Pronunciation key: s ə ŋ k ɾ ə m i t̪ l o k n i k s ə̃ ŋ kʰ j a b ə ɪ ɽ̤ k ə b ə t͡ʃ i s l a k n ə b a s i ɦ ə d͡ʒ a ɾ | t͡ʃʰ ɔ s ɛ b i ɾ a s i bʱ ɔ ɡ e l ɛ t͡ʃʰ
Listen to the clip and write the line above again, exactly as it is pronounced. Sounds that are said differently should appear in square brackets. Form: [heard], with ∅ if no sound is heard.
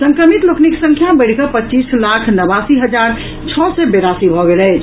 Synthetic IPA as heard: s ə ŋ k ɾ ə m i t̪ l o k n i k s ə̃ ŋ kʰ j a b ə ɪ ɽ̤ k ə [p] ə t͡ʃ i s l a [kʰ] n ə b a s i ɦ ə d͡ʒ a ɾ | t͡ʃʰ ɔ s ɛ b [e] ɾ a s i bʱ ɔ ɡ e l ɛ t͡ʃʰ